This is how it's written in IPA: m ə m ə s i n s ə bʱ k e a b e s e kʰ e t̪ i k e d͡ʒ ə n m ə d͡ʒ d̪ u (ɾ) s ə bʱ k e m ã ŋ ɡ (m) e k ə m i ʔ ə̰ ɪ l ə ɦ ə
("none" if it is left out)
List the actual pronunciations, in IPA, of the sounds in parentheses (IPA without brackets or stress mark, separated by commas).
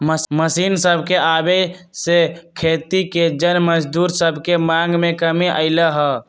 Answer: ɾ, m